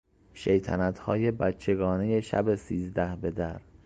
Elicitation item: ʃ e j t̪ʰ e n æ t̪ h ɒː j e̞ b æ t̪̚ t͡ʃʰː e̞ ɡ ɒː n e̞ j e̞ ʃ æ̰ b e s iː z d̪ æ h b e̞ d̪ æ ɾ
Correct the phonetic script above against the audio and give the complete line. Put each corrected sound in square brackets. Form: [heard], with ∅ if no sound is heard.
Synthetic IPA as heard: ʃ e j t̪ʰ [æ] n æ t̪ h ɒː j e̞ b æ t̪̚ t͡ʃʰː e̞ ɡ ɒː n e̞ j e̞ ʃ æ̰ b e s iː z d̪ æ h b e̞ d̪ æ ɾ